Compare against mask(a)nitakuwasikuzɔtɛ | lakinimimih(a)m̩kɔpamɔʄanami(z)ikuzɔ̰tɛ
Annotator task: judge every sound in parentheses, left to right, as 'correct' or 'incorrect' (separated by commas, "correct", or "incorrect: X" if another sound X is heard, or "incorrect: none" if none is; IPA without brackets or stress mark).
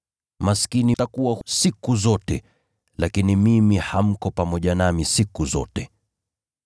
incorrect: i, correct, incorrect: s